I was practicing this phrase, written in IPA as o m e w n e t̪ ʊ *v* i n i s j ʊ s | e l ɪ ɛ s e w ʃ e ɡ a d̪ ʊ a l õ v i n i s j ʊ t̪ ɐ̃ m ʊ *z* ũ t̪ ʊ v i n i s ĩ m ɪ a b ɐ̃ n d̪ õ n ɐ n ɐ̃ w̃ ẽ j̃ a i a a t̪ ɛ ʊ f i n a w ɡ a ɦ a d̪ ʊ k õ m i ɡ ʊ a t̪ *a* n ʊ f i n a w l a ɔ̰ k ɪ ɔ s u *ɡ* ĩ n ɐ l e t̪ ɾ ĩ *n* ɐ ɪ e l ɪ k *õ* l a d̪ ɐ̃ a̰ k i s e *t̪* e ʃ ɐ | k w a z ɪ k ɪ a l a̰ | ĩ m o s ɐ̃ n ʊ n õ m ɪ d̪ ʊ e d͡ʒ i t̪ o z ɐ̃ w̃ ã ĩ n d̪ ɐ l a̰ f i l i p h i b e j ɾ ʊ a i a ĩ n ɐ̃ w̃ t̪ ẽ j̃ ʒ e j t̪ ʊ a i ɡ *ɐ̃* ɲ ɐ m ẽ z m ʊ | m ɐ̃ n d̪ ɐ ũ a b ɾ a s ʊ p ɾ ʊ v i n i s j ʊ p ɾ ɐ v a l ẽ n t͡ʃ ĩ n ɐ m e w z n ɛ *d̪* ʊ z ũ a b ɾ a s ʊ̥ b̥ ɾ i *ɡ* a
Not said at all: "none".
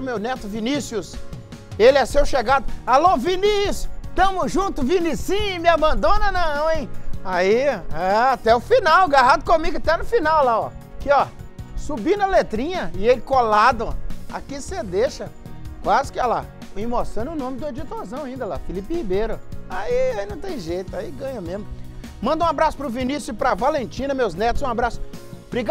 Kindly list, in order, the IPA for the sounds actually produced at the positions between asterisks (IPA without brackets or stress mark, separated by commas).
v, ʒ, ɛ, b, ɲ, o, d̪, ɐ̃, t̪, ɡ